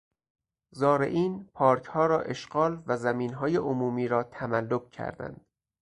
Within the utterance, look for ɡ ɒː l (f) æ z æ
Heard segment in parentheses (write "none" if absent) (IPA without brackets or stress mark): v